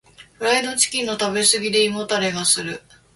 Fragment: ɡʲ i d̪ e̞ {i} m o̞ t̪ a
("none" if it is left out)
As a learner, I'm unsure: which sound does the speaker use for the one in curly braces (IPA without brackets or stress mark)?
i